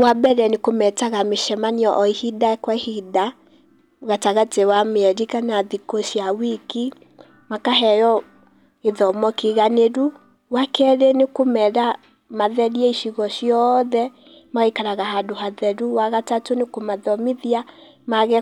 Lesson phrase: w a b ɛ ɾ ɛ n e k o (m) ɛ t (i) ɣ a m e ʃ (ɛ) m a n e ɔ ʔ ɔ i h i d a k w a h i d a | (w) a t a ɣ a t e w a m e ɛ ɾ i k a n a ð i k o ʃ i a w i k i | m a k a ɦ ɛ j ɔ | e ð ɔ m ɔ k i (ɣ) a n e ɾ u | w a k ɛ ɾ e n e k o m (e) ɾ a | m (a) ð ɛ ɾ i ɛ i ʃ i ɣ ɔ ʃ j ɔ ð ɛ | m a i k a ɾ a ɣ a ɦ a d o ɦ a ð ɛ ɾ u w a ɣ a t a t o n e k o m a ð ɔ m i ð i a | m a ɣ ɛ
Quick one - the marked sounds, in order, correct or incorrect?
correct, incorrect: a, correct, incorrect: ɣ, correct, incorrect: ɛ, correct

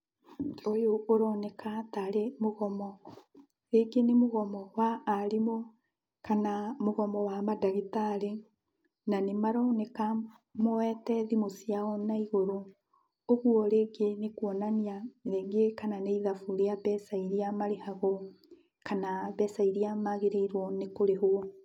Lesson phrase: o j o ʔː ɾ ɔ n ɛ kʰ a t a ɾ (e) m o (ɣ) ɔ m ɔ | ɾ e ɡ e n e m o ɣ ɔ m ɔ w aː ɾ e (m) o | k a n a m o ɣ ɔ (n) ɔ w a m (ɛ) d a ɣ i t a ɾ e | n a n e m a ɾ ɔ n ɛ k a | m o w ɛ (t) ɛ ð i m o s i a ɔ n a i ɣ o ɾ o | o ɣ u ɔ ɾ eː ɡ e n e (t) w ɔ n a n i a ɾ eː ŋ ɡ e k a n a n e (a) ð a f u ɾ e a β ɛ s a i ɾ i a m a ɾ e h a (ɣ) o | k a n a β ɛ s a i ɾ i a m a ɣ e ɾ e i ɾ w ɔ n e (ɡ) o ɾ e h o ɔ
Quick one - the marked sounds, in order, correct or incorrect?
correct, correct, correct, incorrect: m, incorrect: a, correct, incorrect: k, incorrect: i, correct, incorrect: k

